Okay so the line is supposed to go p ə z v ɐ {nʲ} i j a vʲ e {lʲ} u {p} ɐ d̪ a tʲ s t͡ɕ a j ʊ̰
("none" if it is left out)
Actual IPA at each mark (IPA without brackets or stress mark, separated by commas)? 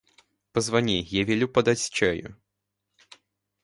nʲ, lʲ, p